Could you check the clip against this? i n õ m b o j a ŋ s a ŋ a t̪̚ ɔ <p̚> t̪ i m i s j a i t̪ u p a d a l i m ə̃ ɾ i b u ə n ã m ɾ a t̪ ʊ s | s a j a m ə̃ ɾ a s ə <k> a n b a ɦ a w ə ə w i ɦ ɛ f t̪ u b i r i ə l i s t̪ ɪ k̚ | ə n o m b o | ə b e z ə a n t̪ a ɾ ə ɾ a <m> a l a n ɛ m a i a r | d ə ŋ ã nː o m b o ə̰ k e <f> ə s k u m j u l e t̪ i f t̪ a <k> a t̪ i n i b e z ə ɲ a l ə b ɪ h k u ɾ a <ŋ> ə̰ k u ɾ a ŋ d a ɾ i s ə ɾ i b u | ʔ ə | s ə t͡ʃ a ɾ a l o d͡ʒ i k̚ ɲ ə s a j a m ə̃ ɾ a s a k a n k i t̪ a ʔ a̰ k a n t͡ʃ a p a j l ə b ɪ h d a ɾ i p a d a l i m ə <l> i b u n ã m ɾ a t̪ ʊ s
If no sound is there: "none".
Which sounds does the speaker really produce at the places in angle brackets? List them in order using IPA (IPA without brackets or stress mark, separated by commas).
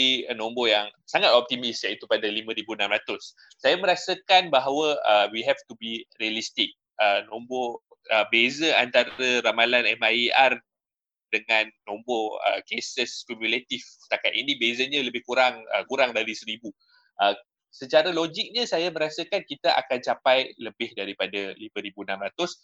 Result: p̚, k, m, s, k, ŋ, ɾ